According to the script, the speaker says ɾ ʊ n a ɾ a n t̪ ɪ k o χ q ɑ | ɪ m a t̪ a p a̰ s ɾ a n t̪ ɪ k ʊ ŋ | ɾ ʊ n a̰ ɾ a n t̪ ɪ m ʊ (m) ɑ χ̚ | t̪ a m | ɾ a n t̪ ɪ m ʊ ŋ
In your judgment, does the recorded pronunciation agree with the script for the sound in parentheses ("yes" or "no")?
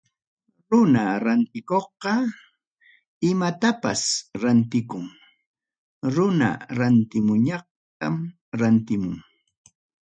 no